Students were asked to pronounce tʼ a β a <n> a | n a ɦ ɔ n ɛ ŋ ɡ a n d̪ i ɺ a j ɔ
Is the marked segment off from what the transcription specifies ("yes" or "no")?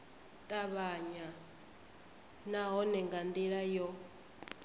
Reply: yes